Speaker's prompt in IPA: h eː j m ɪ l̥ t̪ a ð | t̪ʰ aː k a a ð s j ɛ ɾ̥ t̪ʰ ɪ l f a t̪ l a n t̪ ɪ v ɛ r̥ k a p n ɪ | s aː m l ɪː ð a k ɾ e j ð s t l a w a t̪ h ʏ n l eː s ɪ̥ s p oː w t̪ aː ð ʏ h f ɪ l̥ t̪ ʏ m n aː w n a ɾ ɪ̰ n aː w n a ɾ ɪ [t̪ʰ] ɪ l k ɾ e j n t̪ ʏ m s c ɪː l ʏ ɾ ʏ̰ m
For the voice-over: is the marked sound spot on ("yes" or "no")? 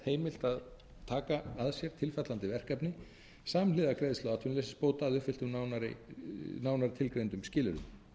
yes